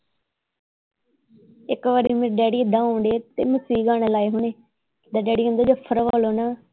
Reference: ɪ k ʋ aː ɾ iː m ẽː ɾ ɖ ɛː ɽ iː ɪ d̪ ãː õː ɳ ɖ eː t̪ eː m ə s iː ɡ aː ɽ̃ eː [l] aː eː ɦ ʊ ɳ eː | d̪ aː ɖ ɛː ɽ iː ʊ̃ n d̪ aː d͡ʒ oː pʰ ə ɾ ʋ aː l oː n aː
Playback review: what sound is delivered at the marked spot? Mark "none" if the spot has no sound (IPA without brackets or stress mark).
l